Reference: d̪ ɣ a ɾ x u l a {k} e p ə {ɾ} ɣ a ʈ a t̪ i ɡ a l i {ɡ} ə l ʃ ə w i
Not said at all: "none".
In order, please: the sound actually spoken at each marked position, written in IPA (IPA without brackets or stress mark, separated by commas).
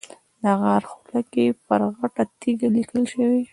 k, ɾ, k